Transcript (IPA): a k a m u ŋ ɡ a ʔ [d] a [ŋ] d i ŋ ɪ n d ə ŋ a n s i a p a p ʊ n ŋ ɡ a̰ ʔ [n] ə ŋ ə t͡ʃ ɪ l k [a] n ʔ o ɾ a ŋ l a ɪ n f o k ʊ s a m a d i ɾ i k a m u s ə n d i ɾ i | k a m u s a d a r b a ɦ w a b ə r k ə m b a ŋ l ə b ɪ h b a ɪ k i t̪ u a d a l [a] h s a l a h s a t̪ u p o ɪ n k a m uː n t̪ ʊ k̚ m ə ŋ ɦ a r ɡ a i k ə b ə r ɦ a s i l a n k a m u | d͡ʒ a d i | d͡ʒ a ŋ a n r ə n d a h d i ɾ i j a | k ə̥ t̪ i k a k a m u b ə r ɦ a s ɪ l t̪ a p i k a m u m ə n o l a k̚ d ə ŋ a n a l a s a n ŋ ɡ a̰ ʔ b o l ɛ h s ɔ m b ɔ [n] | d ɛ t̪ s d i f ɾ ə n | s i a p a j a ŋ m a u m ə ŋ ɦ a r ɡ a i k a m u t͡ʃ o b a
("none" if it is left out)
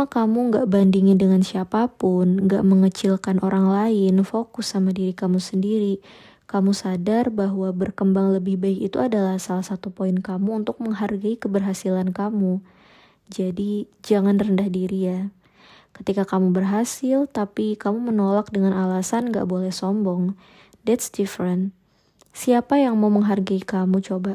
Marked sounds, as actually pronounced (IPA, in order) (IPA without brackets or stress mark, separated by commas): b, n, m, a, a, ŋ